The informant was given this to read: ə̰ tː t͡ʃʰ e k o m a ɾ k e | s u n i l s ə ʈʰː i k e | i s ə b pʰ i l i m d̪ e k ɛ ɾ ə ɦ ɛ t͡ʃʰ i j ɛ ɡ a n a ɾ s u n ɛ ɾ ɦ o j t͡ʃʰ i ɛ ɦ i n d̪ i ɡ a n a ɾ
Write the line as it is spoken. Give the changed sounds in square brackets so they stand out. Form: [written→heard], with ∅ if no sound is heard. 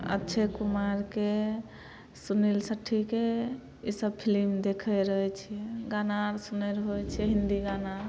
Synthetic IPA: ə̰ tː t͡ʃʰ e k [o→u] m a ɾ k e | s u n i l s ə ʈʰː i k e | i s ə b pʰ i l i m d̪ e [k→kʰ] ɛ ɾ ə ɦ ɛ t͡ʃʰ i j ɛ ɡ a n a ɾ s u n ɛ ɾ ɦ o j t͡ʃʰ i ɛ ɦ i n d̪ i ɡ a n a ɾ